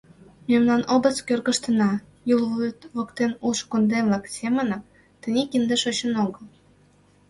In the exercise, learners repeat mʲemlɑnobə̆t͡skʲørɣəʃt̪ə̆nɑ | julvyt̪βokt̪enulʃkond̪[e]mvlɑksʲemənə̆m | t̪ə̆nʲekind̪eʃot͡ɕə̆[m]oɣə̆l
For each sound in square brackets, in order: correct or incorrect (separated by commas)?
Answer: correct, incorrect